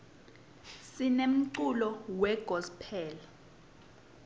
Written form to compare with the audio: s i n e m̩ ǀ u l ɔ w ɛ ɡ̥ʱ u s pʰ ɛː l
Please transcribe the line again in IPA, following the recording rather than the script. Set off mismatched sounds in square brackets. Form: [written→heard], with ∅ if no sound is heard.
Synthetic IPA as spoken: s i n e m̩ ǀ u l ɔ w ɛ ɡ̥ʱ [u→ɔ] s pʰ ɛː l